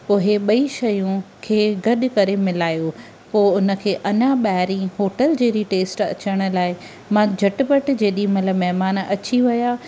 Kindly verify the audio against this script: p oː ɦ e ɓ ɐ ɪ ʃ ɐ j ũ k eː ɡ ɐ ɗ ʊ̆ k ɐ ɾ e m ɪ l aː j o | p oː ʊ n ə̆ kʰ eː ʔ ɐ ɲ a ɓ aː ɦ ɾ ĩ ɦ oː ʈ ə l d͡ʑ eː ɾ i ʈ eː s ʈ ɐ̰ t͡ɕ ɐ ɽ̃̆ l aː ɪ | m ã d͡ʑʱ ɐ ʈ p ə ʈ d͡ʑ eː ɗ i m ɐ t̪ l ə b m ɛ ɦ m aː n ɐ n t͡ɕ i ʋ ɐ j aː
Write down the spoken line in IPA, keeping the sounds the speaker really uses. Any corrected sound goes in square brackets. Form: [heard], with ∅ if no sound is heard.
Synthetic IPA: p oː ɦ e ɓ ɐ [i] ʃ ɐ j ũ [kʰ] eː ɡ ɐ ɗ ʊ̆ k ɐ ɾ e m ɪ l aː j o | p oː ʊ n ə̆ kʰ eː ʔ ɐ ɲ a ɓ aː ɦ ɾ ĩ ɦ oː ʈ ə l d͡ʑ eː ɾ i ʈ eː s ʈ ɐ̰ t͡ɕ [ə] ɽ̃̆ l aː ɪ | m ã d͡ʑʱ ɐ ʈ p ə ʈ d͡ʑ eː ɗ i m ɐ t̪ l ə b m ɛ ɦ m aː n ɐ [∅] t͡ɕ i ʋ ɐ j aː